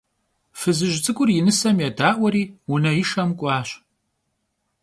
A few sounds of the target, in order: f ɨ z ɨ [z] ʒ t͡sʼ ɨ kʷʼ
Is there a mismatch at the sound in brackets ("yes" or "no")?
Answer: yes